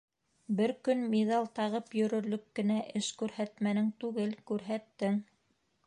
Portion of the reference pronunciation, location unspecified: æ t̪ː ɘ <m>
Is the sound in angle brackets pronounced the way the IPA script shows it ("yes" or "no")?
no